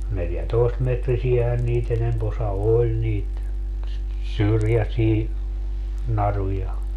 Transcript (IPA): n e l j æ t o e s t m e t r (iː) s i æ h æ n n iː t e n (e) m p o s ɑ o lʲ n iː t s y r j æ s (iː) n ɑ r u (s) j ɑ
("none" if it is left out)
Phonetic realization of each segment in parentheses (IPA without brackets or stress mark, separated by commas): i, e, iː, none